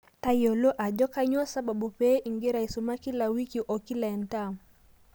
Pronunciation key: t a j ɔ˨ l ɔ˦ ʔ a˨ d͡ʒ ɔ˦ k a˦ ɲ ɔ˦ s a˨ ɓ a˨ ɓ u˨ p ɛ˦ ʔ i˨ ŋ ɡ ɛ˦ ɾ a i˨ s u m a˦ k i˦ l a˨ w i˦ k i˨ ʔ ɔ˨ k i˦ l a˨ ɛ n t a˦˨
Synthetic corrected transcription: t a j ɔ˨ l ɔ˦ ʔ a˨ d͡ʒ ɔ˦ k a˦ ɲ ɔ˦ s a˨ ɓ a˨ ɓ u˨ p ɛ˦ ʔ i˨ ŋ ɡ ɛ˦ ɾ a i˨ s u m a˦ k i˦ l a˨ w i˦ k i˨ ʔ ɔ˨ k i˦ l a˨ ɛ n t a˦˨